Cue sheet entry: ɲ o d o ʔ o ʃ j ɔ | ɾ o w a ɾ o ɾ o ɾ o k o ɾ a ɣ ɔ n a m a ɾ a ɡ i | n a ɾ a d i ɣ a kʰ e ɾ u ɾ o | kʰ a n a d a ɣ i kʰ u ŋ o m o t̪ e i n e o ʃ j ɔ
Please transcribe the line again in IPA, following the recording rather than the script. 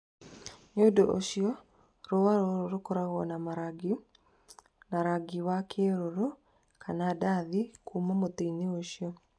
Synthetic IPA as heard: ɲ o d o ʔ o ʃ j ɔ | ɾ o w a ɾ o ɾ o ɾ o k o ɾ a ɣ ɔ n a m a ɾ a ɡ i | n a ɾ a ɡ i w a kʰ e ɾ o ɾ o | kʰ a n a d a ð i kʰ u m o m o t̪ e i n e o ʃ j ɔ